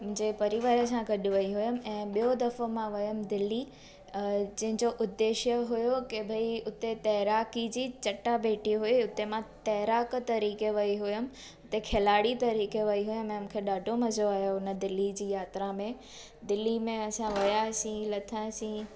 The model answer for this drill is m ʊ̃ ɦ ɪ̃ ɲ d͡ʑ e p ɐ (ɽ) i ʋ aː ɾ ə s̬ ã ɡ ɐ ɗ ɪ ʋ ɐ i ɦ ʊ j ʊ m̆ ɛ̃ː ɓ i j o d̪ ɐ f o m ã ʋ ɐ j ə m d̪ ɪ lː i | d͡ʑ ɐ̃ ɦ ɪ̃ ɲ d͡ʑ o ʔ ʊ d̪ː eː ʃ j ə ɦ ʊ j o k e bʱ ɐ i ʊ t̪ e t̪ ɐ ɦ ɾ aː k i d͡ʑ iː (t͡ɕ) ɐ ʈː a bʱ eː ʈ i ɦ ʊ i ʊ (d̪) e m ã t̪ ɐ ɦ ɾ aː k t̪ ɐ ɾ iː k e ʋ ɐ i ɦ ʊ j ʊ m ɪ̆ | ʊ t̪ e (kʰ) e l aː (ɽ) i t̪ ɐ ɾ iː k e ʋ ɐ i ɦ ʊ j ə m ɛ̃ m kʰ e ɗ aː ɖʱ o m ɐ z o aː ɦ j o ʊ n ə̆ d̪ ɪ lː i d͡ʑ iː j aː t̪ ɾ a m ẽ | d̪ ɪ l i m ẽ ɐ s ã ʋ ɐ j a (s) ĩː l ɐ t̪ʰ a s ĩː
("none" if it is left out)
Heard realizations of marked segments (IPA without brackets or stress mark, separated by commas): ɾ, t͡ɕ, t̪, kʰ, ɽ, s